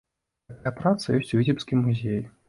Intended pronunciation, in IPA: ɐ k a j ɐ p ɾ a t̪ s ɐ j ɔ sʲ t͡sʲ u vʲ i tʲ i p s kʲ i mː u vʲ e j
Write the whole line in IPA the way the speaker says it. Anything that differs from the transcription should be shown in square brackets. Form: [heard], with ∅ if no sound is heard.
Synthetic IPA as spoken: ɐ k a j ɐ p ɾ a t̪ s ɐ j ɔ sʲ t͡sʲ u vʲ i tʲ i p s kʲ i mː u [zʲ] e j